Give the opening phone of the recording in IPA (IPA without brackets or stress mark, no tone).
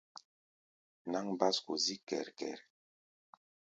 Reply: n